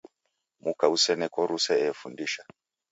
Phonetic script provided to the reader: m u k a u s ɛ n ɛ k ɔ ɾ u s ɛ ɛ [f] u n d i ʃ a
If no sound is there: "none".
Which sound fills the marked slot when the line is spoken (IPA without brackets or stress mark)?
f